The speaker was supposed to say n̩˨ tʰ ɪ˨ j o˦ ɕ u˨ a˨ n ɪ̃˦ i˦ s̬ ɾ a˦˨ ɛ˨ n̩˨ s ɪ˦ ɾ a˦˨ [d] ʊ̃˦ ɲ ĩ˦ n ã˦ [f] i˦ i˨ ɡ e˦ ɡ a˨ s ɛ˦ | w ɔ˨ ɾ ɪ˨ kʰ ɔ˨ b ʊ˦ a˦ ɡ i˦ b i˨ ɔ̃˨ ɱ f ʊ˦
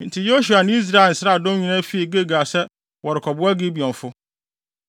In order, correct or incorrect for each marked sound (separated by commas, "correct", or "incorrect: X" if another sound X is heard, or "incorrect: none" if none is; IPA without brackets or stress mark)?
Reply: correct, correct